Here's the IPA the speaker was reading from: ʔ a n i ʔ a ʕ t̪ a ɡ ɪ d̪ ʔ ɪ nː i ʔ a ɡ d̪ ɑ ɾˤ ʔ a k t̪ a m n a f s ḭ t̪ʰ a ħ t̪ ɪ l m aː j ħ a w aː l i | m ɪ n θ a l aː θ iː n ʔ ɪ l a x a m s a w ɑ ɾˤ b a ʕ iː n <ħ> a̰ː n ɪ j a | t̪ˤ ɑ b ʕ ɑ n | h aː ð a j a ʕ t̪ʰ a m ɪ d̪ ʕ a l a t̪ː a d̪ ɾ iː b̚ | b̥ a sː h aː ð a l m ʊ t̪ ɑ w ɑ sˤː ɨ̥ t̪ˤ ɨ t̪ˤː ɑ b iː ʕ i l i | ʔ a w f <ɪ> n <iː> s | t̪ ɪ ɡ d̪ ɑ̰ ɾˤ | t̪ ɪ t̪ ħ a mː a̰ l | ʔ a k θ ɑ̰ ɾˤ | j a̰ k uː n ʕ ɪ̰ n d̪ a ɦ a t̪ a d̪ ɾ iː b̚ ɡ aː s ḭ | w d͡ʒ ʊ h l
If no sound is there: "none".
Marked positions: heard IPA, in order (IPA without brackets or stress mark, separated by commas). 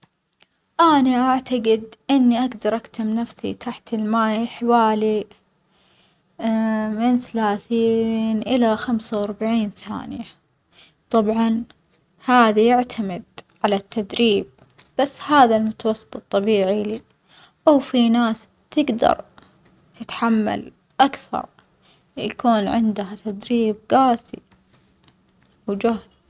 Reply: θ, i, aː